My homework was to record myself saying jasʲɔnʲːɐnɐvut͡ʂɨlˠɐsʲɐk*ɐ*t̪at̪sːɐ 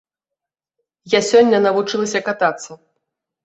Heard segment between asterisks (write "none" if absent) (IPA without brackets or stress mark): a